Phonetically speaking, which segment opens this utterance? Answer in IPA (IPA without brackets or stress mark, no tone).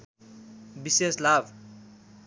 b